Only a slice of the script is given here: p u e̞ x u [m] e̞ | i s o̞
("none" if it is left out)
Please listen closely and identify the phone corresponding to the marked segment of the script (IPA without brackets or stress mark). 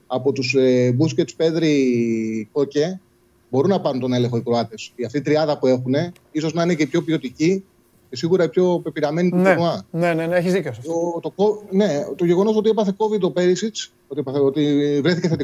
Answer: n